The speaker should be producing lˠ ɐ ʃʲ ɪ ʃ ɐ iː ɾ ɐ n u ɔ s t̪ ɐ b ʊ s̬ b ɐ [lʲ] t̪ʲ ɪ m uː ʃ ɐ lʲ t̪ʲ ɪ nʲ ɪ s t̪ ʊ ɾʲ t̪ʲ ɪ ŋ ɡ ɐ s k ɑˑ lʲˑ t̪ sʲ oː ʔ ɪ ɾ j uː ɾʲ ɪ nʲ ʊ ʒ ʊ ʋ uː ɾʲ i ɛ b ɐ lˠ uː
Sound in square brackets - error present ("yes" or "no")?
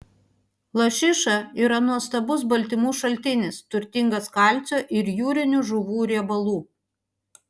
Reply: no